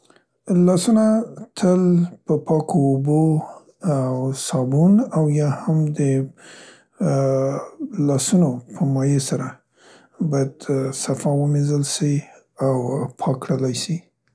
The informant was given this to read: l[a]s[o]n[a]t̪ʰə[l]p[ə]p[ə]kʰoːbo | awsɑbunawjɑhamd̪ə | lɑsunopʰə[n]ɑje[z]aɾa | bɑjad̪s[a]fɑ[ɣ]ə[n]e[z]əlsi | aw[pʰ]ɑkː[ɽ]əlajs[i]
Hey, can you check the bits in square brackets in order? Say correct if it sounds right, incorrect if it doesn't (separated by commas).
incorrect, incorrect, correct, correct, correct, incorrect, incorrect, incorrect, correct, incorrect, incorrect, correct, correct, correct, correct